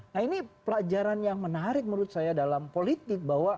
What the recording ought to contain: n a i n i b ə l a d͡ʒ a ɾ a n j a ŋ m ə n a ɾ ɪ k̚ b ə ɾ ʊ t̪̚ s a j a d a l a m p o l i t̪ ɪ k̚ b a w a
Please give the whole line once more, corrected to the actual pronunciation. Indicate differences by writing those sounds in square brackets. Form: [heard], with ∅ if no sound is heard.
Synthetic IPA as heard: n a i n i [p] ə l a d͡ʒ a ɾ a n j a ŋ m ə n a ɾ ɪ k̚ [m] ə ɾ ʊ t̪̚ s a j a d a l a m p o l i t̪ ɪ k̚ b a w a